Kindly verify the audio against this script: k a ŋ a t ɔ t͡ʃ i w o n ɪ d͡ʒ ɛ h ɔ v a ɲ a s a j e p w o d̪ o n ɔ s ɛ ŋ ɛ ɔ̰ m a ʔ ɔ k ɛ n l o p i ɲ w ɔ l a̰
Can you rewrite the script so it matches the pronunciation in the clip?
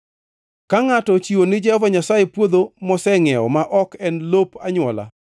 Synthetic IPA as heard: k a ŋ a t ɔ t͡ʃ i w o n ɪ d͡ʒ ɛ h ɔ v a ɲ a s a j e p w o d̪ o m ɔ s ɛ ŋ ɛ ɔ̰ m a ʔ ɔ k ɛ n l o p a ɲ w ɔ l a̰